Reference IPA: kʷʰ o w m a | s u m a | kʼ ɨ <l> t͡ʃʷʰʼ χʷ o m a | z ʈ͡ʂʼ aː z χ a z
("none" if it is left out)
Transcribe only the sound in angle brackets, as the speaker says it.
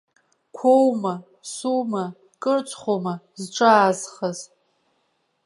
r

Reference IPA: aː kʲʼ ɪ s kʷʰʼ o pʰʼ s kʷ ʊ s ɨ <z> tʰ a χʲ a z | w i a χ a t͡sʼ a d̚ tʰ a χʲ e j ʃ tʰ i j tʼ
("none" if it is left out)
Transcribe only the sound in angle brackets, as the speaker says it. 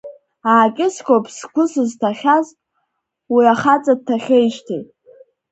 z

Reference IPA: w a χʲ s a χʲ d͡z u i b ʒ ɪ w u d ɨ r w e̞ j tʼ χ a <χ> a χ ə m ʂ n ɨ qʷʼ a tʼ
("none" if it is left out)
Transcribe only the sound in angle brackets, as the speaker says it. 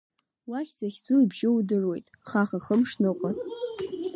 χ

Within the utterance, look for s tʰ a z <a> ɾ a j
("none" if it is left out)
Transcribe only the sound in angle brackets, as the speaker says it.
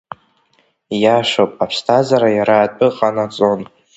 a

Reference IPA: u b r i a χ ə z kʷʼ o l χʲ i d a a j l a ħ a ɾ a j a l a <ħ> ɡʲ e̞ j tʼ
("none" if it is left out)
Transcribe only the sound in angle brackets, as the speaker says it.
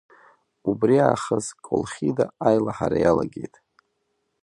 none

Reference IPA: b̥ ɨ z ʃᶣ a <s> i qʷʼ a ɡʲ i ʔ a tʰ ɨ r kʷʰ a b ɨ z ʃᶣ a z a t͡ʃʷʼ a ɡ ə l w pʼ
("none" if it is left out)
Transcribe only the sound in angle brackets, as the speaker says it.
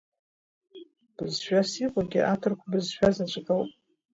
s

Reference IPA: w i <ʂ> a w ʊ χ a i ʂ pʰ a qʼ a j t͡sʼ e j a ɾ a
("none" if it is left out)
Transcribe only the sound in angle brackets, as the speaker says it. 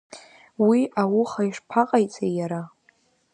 none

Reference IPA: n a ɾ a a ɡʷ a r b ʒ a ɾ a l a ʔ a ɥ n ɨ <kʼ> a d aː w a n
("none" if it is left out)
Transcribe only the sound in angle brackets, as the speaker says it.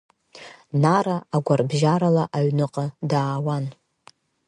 qʼ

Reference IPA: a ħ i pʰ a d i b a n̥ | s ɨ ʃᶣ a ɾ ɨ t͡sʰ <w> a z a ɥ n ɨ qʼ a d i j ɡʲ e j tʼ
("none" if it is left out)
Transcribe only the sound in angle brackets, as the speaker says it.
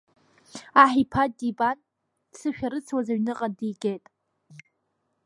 w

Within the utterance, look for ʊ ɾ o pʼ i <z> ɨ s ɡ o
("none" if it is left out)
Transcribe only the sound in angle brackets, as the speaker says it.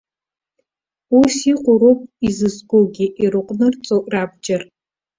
z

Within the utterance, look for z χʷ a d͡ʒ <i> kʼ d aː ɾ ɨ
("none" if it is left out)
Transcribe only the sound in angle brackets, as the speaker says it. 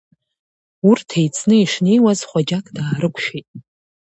a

